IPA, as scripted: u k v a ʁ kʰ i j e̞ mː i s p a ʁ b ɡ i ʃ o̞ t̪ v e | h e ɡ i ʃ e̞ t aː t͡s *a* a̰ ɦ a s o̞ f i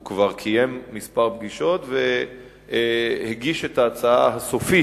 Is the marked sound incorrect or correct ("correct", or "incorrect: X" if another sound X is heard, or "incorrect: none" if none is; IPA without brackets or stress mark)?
correct